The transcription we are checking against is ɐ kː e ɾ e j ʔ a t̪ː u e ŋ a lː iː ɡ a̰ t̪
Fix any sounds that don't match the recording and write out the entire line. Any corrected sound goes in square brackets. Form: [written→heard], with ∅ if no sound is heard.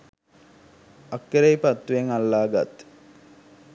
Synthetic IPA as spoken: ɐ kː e ɾ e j [ʔ→p] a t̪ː u e ŋ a lː [iː→aː] ɡ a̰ t̪

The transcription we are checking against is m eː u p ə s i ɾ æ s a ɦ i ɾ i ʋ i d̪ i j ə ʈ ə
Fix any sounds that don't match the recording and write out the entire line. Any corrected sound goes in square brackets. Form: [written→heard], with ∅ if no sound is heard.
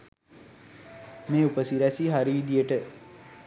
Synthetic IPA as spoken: m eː u p ə s i ɾ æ s [a→i] ɦ [i→a] ɾ i ʋ i d̪ i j ə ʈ ə

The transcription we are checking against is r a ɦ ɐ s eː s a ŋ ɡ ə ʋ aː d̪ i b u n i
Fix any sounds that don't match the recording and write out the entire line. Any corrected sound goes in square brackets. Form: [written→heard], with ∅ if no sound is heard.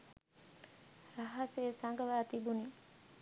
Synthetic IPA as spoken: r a ɦ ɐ s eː s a ŋ ɡ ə ʋ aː [d̪→t̪] i b u n i

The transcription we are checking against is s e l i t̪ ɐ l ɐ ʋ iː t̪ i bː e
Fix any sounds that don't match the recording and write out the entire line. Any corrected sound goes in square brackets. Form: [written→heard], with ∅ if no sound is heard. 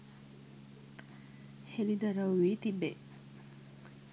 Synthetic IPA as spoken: [s→h] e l i [t̪→d̪] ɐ [l→ɾ] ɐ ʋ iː t̪ i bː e

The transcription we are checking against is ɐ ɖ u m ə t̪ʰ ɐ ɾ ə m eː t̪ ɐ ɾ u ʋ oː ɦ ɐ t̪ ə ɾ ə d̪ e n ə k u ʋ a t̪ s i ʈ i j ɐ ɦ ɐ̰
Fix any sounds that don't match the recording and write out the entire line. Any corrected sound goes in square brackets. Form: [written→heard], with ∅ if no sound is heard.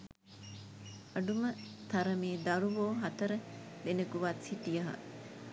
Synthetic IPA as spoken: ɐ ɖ u m ə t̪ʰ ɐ ɾ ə m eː [t̪→d̪] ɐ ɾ u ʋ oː ɦ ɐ t̪ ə ɾ ə d̪ e n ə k u ʋ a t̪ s i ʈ i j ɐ ɦ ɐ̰

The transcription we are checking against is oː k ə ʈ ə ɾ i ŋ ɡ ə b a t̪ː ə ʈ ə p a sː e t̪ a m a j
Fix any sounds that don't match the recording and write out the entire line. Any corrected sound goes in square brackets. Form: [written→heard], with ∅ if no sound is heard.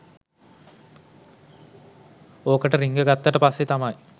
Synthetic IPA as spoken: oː k ə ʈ ə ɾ i ŋ ɡ ə [b→ɡ] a t̪ː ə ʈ ə p a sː e t̪ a m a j

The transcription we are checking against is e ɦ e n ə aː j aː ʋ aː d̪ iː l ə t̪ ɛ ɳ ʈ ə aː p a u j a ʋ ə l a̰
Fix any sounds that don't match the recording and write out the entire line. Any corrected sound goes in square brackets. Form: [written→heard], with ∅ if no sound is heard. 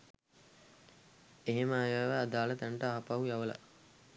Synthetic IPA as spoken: e ɦ e [n→m] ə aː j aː ʋ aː d̪ [iː→aː] l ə t̪ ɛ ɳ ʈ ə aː p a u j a ʋ ə l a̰

